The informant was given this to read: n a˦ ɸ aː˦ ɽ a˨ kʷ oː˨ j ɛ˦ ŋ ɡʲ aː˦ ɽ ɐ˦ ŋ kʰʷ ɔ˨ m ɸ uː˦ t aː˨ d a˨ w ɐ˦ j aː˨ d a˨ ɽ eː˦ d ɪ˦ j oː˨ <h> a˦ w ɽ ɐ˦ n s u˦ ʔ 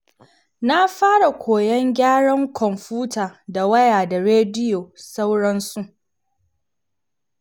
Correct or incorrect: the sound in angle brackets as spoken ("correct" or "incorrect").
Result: incorrect